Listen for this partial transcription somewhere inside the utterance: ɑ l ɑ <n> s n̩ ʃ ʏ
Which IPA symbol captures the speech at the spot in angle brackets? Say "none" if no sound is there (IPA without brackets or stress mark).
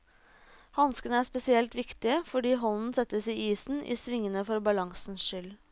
ŋ